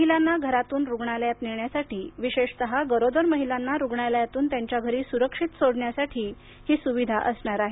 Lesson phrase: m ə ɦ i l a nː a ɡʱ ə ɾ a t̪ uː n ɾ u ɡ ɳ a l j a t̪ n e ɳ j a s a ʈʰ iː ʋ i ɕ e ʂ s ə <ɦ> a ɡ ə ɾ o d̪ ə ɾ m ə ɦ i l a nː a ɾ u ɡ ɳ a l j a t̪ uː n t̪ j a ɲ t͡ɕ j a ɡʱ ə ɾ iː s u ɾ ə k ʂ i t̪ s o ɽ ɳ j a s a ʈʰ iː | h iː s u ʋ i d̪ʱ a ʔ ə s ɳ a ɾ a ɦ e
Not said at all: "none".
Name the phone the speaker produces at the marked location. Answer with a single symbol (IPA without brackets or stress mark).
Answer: ɦ